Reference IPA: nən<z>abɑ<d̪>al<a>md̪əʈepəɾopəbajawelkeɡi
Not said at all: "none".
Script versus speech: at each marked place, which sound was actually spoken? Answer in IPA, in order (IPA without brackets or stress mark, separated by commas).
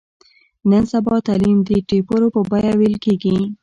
s, t̪, i